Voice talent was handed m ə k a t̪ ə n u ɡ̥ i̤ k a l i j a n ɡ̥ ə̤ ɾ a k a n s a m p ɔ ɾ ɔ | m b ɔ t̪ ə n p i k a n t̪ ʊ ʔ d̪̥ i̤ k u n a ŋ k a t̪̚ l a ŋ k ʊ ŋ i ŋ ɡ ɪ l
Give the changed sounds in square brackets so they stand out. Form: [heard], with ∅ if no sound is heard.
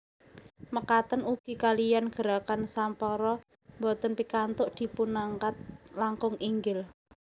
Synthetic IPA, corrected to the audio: m ə k a t̪ ə n u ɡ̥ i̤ k a l i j a n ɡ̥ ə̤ ɾ a k a n s a m p ɔ ɾ ɔ | m b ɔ t̪ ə n p i k a n t̪ ʊ ʔ d̪̥ i̤ [p] u n a ŋ k a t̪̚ l a ŋ k ʊ ŋ i ŋ ɡ ɪ l